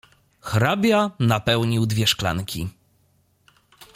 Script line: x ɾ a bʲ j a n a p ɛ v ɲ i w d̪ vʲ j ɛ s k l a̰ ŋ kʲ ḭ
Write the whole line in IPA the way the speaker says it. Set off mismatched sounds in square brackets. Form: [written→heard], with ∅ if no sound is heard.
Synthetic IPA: x ɾ a bʲ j a n a p ɛ [v→w] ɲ i w d̪ vʲ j ɛ [s→ʂ] k l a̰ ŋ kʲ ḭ